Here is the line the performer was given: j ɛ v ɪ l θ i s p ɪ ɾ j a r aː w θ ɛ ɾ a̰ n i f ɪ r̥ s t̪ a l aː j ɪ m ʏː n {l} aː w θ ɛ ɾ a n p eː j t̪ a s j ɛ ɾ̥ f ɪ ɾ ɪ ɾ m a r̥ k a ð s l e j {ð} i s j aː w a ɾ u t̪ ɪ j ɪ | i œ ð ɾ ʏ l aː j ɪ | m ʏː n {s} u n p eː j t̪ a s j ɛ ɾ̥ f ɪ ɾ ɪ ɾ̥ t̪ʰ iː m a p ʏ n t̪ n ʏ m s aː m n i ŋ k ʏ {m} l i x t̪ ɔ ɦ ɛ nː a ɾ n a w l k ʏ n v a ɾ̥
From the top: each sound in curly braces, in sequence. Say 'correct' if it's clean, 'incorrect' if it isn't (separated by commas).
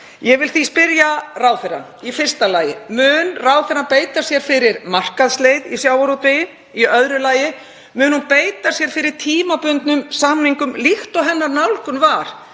incorrect, correct, incorrect, correct